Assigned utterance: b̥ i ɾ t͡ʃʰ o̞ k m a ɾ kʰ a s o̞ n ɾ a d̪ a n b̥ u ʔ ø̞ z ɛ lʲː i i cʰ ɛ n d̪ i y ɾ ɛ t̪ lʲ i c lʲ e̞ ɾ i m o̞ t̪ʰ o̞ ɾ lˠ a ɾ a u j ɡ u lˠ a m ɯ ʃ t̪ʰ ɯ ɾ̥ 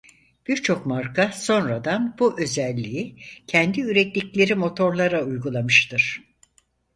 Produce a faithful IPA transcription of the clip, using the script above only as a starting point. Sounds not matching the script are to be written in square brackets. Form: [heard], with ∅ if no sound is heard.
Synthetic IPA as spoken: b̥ i ɾ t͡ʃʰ o̞ k m a ɾ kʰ a s o̞ n ɾ a d̪ a n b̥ u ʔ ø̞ z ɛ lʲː i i cʰ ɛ n d̪ i y ɾ ɛ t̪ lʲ i c lʲ e̞ ɾ i m o̞ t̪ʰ o̞ ɾ lˠ a ɾ a u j ɡ u lˠ a m ɯ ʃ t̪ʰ ɯ ɾ̥